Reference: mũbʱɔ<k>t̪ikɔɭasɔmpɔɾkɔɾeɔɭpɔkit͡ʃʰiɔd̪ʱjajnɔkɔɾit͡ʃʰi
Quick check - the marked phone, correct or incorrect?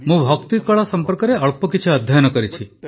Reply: correct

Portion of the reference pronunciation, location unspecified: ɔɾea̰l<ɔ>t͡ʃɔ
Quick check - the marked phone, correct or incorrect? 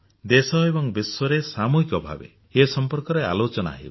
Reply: incorrect: o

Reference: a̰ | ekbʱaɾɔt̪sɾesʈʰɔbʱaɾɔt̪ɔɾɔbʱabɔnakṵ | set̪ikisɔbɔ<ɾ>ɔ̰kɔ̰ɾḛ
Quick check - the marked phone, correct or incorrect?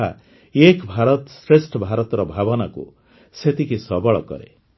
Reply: incorrect: ɭ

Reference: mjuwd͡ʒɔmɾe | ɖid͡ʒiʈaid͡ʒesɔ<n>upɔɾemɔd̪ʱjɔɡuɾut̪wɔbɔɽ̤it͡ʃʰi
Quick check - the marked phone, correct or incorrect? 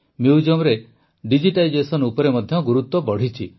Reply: correct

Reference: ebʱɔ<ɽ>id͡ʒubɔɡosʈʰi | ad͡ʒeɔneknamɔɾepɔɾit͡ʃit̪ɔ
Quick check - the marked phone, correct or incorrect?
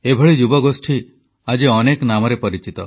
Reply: incorrect: ɭ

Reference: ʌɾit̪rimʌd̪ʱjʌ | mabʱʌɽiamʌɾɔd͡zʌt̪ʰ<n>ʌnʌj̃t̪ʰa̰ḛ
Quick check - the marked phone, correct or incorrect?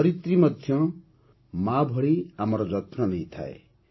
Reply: correct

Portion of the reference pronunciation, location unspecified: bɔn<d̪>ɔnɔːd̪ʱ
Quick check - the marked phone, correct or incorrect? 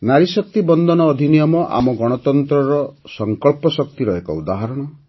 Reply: correct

